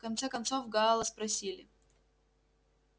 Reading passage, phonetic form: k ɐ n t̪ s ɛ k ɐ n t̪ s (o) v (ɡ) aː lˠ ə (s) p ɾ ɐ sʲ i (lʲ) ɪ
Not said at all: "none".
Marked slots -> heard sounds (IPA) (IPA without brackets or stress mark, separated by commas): o, ɡ, s, lʲ